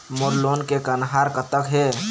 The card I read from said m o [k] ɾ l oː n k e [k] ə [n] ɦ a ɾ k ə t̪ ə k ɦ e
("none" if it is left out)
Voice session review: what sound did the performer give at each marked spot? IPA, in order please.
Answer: none, k, n

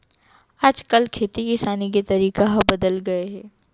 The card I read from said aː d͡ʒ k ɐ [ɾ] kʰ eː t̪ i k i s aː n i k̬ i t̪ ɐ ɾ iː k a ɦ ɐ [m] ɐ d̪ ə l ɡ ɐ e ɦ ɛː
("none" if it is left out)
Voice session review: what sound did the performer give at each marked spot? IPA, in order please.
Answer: l, b

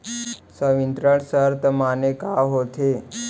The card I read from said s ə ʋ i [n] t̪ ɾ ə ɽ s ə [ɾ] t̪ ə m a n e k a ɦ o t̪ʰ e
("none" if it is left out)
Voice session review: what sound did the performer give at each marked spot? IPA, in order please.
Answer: n, ɾ

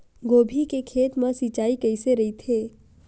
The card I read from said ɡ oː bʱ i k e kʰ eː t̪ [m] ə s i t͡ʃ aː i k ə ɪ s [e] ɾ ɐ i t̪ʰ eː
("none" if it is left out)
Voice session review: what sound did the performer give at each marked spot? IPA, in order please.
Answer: m, e

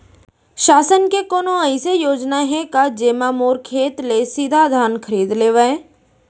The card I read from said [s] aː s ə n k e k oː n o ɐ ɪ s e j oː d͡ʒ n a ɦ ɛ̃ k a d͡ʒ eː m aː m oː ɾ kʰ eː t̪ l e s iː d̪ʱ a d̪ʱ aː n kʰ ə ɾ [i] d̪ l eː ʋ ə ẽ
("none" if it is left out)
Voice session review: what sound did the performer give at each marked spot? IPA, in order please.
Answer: ʃ, iː

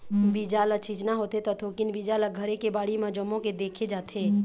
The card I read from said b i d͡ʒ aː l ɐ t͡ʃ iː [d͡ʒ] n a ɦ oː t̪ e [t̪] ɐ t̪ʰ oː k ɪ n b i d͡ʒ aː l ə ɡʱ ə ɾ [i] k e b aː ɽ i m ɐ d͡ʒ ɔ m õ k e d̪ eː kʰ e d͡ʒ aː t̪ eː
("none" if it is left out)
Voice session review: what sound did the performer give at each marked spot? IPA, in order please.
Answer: d͡ʒ, t̪, e

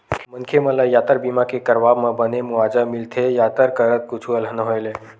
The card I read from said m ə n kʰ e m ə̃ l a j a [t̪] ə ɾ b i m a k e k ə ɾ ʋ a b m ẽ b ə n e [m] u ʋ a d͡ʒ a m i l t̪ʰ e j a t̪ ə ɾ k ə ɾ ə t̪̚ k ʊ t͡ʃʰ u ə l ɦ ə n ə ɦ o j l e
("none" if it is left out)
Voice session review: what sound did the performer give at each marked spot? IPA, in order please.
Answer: t̪, m

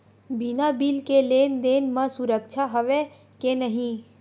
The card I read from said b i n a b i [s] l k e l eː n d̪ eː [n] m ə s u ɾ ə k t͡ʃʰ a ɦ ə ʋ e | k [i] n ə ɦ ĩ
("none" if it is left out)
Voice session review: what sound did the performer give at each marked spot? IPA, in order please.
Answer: none, n, e

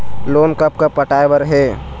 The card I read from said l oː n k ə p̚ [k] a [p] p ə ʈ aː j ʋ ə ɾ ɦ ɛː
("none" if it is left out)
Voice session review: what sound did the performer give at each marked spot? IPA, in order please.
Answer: k, p

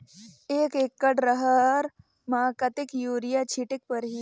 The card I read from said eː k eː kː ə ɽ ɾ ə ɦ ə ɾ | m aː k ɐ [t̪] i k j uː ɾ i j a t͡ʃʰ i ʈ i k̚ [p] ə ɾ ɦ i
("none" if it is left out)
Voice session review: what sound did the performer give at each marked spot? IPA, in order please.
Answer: t̪, p

